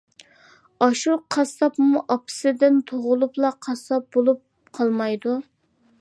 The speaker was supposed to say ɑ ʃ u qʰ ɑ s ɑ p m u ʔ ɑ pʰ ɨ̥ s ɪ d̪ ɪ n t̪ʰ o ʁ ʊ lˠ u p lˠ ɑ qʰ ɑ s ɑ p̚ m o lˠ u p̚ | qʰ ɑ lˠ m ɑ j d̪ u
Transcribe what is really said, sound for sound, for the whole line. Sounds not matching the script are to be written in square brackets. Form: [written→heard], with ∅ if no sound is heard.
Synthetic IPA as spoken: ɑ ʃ u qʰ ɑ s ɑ p m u ʔ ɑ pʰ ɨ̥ s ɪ d̪ ɪ n t̪ʰ o ʁ ʊ lˠ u p lˠ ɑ qʰ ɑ s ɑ p̚ [m→b] o lˠ u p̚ | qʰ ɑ lˠ m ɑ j d̪ u

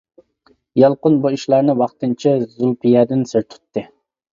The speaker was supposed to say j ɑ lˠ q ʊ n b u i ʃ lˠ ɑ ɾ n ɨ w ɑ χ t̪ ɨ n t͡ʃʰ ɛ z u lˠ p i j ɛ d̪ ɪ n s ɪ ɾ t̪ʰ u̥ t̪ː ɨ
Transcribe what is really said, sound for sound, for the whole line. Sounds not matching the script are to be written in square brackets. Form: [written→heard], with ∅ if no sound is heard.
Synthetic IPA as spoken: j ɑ lˠ q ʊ n b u i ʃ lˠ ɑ ɾ n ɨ w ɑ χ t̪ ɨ n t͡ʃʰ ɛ z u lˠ p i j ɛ d̪ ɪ n s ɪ ɾ t̪ʰ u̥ t̪ː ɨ

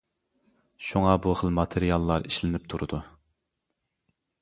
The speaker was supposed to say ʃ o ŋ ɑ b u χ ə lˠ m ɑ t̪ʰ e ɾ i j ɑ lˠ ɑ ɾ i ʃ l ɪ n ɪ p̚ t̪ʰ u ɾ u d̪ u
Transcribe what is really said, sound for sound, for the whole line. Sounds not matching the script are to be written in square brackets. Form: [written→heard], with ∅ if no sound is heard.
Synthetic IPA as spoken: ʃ [o→u] ŋ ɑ b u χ ə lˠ m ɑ t̪ʰ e ɾ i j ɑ [lˠ→lˠː] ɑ ɾ i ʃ l ɪ n ɪ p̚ t̪ʰ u ɾ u d̪ u

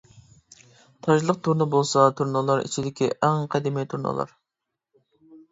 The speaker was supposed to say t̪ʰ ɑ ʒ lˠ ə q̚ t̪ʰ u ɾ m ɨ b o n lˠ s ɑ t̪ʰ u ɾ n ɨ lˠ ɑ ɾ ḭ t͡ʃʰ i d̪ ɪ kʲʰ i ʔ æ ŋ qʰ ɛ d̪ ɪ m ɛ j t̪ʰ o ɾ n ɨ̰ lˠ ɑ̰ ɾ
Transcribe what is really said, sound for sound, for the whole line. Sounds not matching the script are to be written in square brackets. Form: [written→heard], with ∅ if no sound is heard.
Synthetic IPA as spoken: t̪ʰ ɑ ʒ lˠ ə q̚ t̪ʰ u ɾ [m→n] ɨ b o [n→∅] lˠ s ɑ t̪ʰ u ɾ n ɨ lˠ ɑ ɾ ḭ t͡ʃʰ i d̪ ɪ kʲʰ i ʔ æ ŋ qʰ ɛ d̪ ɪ m [ɛ→i] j t̪ʰ [o→u] ɾ n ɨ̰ lˠ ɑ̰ ɾ

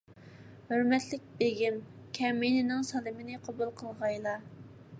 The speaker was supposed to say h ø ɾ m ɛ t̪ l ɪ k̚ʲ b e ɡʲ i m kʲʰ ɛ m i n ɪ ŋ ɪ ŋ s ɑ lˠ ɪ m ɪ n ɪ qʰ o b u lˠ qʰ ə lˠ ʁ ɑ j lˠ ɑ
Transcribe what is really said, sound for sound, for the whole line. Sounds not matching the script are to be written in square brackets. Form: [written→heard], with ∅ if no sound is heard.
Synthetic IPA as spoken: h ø ɾ m ɛ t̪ l ɪ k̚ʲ b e ɡʲ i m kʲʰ ɛ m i n ɪ [ŋ→n] ɪ ŋ s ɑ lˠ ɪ m ɪ n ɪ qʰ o b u lˠ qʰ ə lˠ ʁ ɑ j lˠ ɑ

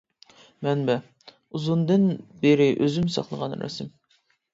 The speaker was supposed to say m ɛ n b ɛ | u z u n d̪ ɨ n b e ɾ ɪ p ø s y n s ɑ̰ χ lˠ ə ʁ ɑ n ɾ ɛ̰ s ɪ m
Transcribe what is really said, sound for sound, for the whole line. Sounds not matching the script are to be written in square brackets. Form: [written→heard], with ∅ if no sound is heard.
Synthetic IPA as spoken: m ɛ n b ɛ | u z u n d̪ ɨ n b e ɾ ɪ [p→ʔ] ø [s→z] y [n→m] s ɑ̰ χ lˠ ə ʁ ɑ n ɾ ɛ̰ s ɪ m

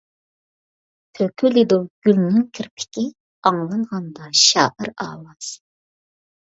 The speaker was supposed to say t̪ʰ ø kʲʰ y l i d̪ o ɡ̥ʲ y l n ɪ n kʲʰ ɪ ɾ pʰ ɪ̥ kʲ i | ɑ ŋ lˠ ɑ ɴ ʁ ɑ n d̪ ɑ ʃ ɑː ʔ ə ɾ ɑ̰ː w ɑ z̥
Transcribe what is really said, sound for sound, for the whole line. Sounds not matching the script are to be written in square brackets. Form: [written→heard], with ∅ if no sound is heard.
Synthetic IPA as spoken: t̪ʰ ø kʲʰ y l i d̪ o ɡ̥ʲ y l n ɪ [n→ŋ] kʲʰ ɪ ɾ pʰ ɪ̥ kʲ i | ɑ ŋ lˠ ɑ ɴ ʁ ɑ n d̪ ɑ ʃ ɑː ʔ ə ɾ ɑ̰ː w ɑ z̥

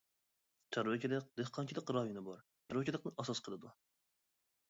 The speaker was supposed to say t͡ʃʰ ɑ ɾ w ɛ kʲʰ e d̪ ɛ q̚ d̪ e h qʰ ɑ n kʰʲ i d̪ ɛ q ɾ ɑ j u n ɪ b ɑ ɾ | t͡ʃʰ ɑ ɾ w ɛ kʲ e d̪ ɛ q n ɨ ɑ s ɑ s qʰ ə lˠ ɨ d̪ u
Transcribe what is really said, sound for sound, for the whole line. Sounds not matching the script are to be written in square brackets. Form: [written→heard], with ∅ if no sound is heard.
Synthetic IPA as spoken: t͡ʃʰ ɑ ɾ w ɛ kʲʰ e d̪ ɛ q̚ d̪ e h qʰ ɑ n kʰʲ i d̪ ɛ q ɾ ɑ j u n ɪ b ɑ ɾ | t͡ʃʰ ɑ ɾ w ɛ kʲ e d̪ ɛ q n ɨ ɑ s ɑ s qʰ ə lˠ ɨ d̪ u

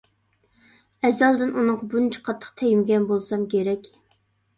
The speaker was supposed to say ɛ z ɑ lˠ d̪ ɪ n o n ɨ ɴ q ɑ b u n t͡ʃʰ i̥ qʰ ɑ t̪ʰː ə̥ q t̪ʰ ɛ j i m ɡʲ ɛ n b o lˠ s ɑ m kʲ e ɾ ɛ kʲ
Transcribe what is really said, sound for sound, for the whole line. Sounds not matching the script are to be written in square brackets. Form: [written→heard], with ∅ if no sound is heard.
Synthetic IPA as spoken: ɛ z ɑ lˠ d̪ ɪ n [o→u] n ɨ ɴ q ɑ b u n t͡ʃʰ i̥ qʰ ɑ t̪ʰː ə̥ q t̪ʰ ɛ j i m ɡʲ ɛ n b o lˠ s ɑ m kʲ e ɾ ɛ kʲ

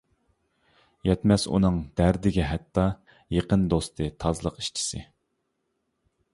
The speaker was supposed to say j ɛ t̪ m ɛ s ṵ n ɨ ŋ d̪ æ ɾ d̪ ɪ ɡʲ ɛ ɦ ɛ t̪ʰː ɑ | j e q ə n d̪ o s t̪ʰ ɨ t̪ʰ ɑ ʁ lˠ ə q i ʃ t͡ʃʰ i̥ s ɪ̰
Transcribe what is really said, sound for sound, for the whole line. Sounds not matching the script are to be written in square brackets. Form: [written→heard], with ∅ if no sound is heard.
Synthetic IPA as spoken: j ɛ t̪ m ɛ s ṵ n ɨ ŋ d̪ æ ɾ d̪ ɪ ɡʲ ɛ ɦ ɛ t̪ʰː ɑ | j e q ə n d̪ o s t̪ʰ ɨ t̪ʰ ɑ [ʁ→z] lˠ ə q i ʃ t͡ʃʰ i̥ s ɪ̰

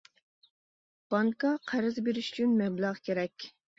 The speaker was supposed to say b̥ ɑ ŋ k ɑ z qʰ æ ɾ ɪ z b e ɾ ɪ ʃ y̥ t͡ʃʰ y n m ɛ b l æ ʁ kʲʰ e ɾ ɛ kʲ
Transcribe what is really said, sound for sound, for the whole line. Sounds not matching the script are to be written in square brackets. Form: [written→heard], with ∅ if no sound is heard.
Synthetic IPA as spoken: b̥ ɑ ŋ k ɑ [z→∅] qʰ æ ɾ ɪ z b e ɾ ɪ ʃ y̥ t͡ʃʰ y n m ɛ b l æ ʁ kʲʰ e ɾ ɛ kʲ

